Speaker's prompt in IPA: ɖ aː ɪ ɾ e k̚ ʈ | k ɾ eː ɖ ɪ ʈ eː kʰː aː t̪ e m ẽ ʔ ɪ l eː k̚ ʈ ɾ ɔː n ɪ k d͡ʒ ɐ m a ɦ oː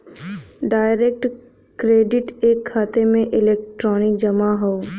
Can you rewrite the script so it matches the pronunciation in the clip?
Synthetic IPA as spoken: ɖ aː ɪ ɾ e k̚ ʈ | k ɾ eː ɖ ɪ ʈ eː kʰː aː t̪ e m ẽ ʔ ɪ l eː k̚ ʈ ɾ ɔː n ɪ k d͡ʒ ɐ m a ɦ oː